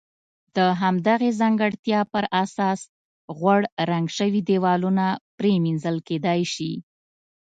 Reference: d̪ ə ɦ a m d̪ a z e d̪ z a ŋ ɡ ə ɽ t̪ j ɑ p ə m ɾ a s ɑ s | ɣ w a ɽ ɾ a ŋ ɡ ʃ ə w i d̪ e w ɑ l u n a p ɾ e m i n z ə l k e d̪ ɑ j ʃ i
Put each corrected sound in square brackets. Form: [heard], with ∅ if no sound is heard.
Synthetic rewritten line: d̪ ə ɦ a m d̪ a [ɣ] e [∅] z a ŋ ɡ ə ɽ t̪ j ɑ p ə [∅] ɾ a s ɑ s | ɣ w a ɽ ɾ a ŋ ɡ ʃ ə w i d̪ e w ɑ l u n a p ɾ e m i n z ə l k e d̪ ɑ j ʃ i